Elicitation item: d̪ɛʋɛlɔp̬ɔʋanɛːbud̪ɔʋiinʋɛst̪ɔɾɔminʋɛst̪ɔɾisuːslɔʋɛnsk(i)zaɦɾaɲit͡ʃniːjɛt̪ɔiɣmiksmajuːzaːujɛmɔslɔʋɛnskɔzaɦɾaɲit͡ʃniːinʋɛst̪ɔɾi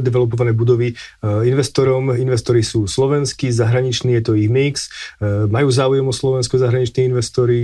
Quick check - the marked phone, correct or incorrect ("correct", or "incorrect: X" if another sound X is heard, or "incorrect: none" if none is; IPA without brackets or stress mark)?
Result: correct